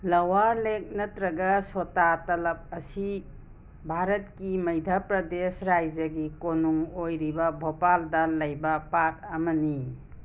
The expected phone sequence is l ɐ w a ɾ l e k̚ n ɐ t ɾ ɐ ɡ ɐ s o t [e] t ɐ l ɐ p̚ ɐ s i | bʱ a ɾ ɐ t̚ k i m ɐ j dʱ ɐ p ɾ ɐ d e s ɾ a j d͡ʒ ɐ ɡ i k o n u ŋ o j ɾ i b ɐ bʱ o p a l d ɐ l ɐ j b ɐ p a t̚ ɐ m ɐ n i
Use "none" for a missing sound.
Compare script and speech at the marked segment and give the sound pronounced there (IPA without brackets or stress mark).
a